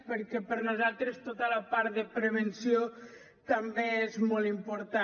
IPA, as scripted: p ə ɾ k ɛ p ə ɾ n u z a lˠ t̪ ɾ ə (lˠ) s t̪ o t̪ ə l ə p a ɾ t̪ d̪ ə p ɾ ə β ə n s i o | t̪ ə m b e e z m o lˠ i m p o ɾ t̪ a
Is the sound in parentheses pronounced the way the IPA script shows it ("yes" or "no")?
no